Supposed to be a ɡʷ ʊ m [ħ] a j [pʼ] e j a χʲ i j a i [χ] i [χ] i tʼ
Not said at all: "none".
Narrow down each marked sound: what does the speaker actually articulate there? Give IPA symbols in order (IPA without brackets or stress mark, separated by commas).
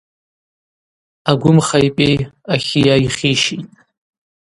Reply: χ, pʼ, χ, ʃ